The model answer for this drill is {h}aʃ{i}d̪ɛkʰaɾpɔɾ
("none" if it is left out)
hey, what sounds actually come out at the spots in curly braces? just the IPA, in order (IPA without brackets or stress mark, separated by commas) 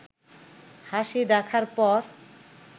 h, i